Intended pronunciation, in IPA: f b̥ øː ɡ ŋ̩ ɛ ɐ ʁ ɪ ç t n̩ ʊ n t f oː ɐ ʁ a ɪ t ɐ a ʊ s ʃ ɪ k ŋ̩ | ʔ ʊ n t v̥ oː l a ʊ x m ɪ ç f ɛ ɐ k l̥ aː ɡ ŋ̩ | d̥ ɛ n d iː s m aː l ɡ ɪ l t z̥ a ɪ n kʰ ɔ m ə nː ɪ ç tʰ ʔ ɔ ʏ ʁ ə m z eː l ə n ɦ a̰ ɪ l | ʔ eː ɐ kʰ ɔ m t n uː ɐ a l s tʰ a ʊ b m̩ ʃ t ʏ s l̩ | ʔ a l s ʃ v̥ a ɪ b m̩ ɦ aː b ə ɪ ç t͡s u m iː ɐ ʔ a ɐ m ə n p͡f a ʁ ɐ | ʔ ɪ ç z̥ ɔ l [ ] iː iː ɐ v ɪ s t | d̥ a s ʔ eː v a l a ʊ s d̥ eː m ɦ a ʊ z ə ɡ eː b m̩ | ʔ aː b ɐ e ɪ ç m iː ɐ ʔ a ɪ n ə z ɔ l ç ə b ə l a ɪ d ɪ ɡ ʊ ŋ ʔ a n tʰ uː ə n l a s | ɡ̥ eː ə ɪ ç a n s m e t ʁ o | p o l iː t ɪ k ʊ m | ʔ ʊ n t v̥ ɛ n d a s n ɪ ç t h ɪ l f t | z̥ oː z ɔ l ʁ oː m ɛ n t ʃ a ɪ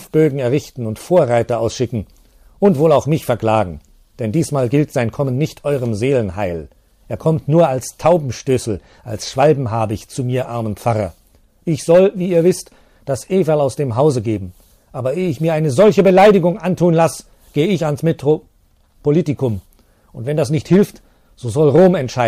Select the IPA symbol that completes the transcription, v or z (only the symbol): v